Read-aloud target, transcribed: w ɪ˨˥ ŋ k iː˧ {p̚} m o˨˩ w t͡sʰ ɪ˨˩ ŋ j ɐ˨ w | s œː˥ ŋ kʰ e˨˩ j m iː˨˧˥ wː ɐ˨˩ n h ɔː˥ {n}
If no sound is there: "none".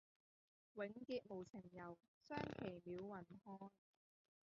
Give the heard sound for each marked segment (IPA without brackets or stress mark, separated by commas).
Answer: t̚, n